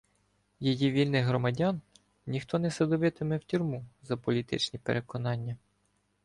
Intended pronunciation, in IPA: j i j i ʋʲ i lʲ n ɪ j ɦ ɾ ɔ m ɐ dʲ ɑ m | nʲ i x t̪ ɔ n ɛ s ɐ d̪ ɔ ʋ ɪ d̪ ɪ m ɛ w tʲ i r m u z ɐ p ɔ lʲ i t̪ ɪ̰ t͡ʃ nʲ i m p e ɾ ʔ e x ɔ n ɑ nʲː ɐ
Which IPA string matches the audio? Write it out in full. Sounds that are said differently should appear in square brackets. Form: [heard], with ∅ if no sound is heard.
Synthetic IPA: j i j i ʋʲ i lʲ n ɪ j ɦ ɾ ɔ m ɐ dʲ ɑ [n] | nʲ i x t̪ ɔ n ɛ s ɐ d̪ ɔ ʋ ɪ [t̪] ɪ m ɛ w tʲ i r m u z ɐ p ɔ lʲ i t̪ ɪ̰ t͡ʃ nʲ i [∅] p e ɾ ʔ e [k] ɔ n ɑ nʲː ɐ